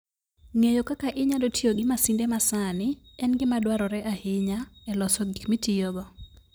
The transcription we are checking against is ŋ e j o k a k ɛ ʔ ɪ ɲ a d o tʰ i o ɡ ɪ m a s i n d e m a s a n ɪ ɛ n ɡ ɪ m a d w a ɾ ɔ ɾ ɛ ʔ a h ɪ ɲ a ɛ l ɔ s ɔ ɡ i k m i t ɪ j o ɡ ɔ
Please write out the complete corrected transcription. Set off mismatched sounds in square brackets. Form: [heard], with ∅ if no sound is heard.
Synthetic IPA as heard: ŋ e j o k a k [a] ʔ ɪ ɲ a d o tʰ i o ɡ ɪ m a s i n d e m a s a n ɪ ɛ n ɡ ɪ m a d w a ɾ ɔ ɾ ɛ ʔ a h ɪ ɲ a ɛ l ɔ s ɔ ɡ i k m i t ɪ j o ɡ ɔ

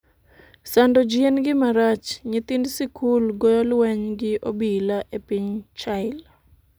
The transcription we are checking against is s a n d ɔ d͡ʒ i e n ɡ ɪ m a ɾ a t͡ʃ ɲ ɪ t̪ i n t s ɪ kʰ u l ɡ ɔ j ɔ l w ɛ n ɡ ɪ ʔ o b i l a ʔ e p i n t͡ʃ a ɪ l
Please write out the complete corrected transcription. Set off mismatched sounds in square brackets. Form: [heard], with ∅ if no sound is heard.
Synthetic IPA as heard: s a n d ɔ d͡ʒ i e n ɡ ɪ m a ɾ a t͡ʃ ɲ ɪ t̪ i n [d] s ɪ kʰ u l ɡ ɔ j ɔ l w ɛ [ɲ] ɡ ɪ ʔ o b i l a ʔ e p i [ɲ] t͡ʃ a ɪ l

